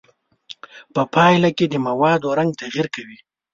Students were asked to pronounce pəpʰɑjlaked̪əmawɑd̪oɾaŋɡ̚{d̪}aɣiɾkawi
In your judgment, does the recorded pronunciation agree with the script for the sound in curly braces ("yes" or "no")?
no